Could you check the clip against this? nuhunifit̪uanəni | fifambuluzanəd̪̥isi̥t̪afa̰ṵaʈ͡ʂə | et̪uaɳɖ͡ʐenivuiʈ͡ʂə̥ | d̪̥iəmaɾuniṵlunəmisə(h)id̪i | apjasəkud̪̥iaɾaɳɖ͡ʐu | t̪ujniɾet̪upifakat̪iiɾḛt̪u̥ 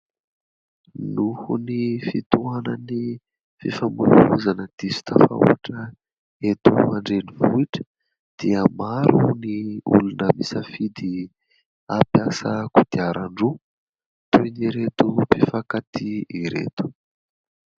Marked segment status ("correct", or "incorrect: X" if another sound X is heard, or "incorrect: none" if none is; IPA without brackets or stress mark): incorrect: f